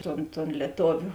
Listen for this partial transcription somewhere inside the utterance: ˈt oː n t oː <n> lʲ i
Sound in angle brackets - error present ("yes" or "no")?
no